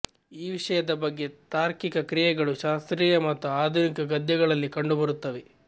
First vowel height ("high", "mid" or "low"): high